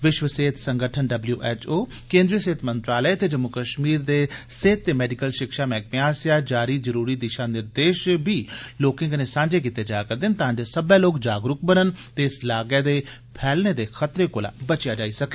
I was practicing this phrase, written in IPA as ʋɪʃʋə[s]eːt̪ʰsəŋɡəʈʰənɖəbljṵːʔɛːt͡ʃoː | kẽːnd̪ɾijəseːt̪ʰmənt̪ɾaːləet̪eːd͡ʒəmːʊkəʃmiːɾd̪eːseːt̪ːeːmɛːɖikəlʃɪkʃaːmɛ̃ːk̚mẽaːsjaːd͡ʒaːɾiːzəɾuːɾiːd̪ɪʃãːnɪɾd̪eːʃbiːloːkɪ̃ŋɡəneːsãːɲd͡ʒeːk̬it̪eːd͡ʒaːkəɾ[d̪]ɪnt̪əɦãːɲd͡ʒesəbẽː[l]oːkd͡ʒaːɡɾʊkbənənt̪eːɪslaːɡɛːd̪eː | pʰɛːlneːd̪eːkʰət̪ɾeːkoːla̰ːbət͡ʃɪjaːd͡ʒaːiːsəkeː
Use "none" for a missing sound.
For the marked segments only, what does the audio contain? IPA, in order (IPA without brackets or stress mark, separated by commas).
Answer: s, d̪, l